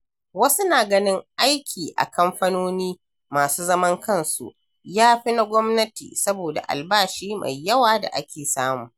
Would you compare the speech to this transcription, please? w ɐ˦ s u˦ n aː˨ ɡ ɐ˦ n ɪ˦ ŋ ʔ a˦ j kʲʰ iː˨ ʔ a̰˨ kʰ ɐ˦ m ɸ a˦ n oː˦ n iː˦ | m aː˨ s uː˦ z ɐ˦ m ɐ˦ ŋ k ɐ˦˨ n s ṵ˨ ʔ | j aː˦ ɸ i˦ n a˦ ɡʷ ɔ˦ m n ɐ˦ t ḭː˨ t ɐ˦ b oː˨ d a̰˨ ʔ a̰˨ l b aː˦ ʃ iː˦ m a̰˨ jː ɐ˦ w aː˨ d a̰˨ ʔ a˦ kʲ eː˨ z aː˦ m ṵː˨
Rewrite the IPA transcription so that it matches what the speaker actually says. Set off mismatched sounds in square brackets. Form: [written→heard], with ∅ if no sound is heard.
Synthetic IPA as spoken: w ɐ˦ s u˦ n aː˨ ɡ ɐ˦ n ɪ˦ ŋ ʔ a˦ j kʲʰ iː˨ ʔ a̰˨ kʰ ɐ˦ m ɸ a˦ n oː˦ n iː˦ | m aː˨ s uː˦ z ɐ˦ m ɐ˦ ŋ k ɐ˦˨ n s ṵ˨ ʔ | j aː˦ ɸ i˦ n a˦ ɡʷ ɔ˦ m n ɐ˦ t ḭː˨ [t→s] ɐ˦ b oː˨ d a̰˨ ʔ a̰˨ l b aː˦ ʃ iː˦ m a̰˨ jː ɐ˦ w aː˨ d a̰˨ ʔ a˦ kʲ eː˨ [z→s] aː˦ m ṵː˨